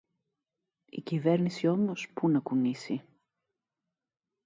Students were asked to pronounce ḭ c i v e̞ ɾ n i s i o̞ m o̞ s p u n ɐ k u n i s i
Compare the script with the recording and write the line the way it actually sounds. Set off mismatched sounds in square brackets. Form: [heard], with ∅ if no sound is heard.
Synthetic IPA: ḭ c i v e̞ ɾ n i s i o̞ m o̞ s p u n ɐ k u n i s i